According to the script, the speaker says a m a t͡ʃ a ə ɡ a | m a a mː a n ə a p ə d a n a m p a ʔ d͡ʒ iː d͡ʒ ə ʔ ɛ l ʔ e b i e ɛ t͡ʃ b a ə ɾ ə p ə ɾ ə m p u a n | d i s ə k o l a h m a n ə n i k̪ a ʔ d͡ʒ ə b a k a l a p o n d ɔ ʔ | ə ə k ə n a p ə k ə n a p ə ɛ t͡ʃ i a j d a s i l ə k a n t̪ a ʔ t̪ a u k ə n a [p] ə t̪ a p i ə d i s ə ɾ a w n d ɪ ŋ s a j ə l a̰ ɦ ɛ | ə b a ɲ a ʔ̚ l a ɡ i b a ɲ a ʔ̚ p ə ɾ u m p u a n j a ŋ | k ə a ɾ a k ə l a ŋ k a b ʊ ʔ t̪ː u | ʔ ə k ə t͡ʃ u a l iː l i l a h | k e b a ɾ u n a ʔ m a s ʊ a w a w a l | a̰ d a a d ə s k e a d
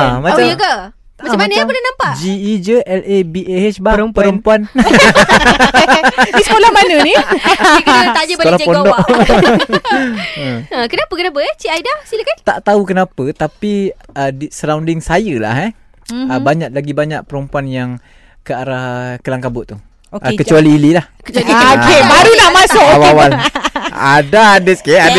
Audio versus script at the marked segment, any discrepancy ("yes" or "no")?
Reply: no